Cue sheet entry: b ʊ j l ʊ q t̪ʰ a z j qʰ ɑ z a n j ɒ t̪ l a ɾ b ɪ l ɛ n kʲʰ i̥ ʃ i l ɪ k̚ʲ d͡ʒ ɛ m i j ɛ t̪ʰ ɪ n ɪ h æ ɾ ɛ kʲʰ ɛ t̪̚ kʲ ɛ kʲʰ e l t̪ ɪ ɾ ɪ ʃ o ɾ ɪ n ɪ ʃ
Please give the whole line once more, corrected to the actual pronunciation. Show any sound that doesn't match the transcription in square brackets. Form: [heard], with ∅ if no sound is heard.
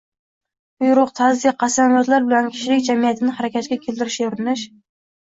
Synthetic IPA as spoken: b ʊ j [ɾ] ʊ q t̪ʰ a z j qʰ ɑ [s] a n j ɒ t̪ l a ɾ b ɪ l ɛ n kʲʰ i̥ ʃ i l ɪ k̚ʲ d͡ʒ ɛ m i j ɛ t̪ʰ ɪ n ɪ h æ ɾ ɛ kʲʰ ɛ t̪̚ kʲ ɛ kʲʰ e l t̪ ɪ ɾ ɪ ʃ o ɾ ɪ n ɪ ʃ